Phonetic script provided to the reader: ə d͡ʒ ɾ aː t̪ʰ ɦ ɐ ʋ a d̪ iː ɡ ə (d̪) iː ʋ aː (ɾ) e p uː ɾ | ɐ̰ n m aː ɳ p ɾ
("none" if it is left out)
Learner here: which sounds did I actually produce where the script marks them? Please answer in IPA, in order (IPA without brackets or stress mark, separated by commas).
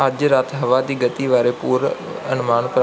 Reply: t̪, ɾ